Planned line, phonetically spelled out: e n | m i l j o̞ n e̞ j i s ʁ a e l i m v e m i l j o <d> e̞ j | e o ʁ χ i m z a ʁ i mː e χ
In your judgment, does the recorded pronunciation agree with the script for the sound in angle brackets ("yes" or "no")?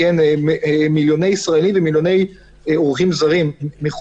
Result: no